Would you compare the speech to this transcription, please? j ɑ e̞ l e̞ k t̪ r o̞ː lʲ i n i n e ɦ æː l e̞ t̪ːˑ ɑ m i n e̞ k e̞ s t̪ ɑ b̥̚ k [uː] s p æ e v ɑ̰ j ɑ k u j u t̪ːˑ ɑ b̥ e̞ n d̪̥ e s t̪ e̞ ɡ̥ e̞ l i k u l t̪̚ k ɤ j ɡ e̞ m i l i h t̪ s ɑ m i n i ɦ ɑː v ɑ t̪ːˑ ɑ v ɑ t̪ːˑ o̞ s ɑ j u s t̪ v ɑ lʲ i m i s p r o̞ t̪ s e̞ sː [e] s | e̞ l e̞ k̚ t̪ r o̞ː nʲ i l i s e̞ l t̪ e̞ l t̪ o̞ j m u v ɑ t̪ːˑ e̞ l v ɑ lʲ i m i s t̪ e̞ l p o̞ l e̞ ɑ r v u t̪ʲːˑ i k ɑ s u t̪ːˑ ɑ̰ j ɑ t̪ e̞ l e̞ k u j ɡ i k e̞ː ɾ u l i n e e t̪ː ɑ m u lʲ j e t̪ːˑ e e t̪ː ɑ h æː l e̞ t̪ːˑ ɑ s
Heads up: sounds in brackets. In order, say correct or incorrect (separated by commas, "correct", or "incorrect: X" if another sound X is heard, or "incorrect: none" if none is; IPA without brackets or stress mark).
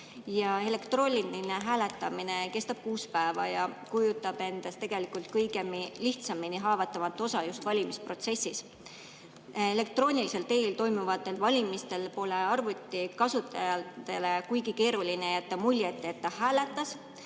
correct, incorrect: i